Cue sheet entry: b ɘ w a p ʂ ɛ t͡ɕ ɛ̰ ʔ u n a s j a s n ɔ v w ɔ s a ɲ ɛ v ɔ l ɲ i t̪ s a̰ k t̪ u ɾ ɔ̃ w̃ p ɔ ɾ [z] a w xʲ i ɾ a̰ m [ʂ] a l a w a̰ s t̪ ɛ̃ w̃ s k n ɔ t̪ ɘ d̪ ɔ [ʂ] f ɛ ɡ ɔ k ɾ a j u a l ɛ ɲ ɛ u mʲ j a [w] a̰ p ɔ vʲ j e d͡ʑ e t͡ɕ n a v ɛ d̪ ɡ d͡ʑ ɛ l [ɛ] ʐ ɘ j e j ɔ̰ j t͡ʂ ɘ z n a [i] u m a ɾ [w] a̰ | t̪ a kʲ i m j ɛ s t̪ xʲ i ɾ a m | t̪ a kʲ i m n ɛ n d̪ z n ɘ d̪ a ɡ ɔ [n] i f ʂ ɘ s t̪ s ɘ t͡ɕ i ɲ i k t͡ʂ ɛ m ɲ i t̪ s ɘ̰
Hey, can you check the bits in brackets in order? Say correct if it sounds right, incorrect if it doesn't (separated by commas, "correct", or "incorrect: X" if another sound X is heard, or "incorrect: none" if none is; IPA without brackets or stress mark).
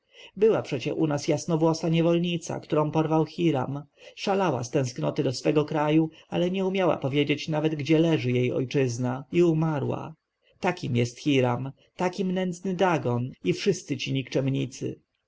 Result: incorrect: v, correct, incorrect: s, correct, correct, correct, correct, correct